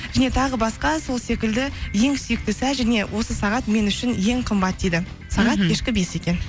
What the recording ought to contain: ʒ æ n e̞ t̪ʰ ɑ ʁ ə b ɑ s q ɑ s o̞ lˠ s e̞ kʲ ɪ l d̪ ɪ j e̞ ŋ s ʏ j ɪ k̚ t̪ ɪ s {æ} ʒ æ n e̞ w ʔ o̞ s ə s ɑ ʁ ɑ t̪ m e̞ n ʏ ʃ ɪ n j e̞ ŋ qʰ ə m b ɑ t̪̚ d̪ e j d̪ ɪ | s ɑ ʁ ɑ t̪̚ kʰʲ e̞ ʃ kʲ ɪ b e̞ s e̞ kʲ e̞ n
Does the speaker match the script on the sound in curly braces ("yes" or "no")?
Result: yes